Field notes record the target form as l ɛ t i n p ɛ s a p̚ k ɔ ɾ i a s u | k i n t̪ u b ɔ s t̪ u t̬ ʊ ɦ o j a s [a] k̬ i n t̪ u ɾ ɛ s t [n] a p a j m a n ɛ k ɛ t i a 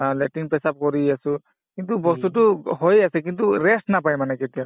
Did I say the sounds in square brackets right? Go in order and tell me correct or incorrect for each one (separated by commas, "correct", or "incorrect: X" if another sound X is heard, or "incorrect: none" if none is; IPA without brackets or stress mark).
incorrect: ɛ, correct